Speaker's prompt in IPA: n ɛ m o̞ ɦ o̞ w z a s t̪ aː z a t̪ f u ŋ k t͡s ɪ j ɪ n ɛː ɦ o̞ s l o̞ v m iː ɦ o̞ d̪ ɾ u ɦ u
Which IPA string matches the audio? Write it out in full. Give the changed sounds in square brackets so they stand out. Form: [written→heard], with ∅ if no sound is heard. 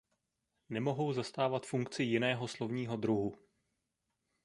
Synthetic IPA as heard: n ɛ m o̞ ɦ o̞ w z a s t̪ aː [z→v] a t̪ f u ŋ k t͡s ɪ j ɪ n ɛː ɦ o̞ s l o̞ v [m→ɲ] iː ɦ o̞ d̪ ɾ u ɦ u